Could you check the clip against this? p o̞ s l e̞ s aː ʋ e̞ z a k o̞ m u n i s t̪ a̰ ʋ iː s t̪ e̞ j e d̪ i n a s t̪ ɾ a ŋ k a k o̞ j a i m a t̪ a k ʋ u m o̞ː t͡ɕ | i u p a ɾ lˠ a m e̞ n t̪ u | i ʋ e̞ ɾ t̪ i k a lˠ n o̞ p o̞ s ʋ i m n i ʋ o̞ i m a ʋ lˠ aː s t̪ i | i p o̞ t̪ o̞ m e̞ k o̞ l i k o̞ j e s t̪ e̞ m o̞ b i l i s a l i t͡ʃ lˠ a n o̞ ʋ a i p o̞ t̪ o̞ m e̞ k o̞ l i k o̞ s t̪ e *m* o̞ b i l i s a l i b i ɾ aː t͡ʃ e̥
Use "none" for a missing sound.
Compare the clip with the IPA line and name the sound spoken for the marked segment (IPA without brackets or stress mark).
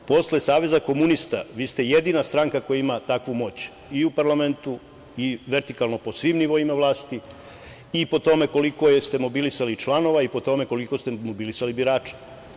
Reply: m